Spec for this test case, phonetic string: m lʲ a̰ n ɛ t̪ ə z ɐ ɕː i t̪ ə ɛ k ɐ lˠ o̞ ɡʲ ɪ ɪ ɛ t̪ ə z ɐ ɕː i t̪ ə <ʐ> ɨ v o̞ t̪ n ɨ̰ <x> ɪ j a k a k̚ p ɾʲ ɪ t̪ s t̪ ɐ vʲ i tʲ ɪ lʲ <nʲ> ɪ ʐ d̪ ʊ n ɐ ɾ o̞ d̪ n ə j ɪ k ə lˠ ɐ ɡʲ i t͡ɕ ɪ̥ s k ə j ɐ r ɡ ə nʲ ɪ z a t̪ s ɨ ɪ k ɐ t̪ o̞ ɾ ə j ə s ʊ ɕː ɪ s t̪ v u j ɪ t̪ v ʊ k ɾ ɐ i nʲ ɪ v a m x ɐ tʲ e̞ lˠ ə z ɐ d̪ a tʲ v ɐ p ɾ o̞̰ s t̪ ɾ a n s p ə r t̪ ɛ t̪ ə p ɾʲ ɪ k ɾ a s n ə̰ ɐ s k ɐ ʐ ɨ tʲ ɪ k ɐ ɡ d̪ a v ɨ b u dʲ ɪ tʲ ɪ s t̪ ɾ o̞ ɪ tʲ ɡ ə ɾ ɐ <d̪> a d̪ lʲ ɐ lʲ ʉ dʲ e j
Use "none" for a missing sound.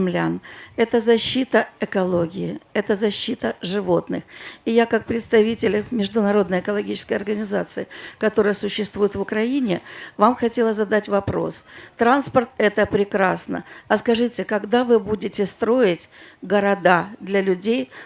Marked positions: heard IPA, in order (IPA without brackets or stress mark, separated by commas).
ʐ, x, mʲ, d̪